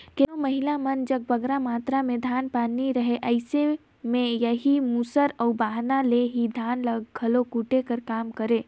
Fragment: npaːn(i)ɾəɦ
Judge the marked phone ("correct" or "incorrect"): correct